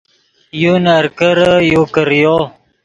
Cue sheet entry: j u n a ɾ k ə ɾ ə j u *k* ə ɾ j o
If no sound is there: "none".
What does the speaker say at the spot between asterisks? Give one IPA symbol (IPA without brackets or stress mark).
k